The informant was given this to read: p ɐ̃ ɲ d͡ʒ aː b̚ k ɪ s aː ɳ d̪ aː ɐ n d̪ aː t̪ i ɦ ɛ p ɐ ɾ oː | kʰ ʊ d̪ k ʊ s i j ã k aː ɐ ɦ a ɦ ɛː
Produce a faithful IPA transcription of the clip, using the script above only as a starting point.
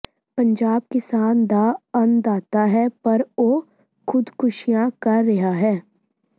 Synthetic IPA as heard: p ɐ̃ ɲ d͡ʒ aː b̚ k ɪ s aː n d̪ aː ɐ n d̪ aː t̪ a ɦ ɛ p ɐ ɾ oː | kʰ ʊ d̪ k ʊ ʃ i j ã k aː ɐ ɦ a ɦ ɛː